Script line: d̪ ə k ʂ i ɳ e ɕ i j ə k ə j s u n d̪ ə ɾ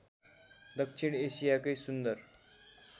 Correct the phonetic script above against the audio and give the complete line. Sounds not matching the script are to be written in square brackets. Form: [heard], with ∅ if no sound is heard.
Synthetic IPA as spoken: d̪ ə k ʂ i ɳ e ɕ i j [a] k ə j s u n d̪ ə ɾ